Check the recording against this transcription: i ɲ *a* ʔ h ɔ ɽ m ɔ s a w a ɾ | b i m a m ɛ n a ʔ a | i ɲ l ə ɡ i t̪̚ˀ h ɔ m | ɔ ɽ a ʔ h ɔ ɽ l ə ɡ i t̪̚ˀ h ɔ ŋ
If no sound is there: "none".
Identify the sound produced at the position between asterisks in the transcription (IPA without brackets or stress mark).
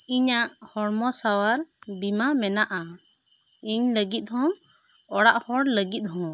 a